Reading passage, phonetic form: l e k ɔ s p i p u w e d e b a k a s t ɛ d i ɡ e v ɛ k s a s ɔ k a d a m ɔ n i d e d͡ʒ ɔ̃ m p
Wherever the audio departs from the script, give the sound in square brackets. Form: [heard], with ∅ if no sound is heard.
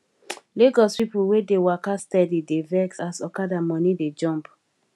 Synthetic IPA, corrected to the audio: l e [ɡ] ɔ s p i p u w e d e [w] a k a s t ɛ d i [d] e v ɛ k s a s ɔ k a d a m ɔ n i d e d͡ʒ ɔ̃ m p